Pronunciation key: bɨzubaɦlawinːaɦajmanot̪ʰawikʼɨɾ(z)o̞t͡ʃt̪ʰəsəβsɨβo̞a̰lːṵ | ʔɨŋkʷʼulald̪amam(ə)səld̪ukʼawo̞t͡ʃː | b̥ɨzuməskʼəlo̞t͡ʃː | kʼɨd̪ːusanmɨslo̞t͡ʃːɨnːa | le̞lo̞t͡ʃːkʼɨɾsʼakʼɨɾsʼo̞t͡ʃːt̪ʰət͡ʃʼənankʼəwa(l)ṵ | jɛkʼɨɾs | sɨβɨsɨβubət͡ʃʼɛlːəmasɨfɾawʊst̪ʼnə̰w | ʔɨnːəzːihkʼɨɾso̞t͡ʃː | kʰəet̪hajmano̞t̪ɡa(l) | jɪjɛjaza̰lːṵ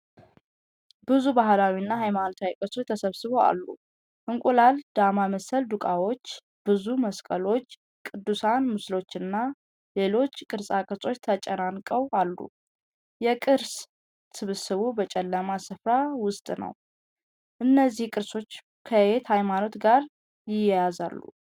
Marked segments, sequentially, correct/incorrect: incorrect: s, correct, incorrect: lː, incorrect: ɾ

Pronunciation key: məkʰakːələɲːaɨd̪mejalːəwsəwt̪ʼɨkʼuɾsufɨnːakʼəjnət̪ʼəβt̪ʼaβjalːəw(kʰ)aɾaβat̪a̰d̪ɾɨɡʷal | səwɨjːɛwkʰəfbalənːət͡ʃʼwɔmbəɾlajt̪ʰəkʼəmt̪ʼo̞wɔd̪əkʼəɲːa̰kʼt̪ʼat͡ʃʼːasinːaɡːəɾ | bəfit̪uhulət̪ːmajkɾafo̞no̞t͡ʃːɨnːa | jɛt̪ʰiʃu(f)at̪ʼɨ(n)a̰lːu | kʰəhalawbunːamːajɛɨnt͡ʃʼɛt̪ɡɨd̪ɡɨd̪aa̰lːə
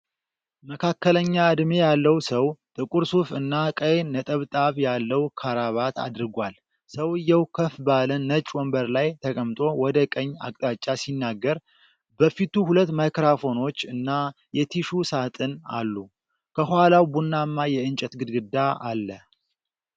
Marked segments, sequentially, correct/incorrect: correct, incorrect: s, correct

